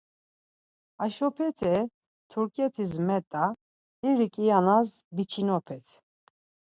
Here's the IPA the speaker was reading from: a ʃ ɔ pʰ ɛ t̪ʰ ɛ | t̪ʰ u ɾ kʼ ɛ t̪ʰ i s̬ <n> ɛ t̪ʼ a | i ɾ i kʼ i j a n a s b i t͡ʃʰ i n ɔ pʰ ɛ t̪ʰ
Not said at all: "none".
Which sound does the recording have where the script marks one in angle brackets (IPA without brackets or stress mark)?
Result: m